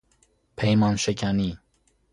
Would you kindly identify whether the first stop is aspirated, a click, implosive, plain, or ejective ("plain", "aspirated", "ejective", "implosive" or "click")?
aspirated